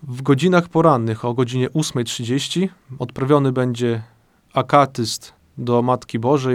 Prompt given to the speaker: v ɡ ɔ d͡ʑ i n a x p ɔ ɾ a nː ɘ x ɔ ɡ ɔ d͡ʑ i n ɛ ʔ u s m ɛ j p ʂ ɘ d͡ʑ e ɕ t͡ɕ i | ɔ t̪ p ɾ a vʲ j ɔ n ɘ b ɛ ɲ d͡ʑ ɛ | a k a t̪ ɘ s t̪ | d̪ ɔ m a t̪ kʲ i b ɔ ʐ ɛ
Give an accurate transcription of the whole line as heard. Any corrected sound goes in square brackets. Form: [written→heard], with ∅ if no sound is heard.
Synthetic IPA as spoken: v ɡ ɔ d͡ʑ i n a x p ɔ ɾ a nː ɘ x ɔ ɡ ɔ d͡ʑ i [n→ɲ] ɛ ʔ u s m ɛ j [p→t] ʂ ɘ d͡ʑ e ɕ t͡ɕ i | ɔ t̪ p ɾ a vʲ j ɔ n ɘ b ɛ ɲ d͡ʑ ɛ | a k a t̪ ɘ s t̪ | d̪ ɔ m a t̪ kʲ i b ɔ ʐ ɛ